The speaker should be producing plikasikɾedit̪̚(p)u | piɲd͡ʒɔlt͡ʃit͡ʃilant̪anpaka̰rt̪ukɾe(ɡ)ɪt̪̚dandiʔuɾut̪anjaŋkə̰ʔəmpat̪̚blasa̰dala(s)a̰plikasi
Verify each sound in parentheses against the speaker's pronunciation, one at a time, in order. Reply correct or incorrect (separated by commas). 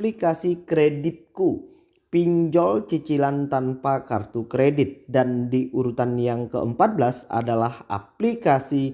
incorrect, incorrect, incorrect